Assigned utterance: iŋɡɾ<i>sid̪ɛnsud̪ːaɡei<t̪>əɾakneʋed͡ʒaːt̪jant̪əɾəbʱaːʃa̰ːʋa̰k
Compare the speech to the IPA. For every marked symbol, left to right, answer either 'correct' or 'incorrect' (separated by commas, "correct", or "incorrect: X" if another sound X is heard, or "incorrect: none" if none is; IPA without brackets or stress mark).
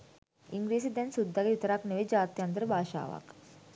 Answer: incorrect: iː, correct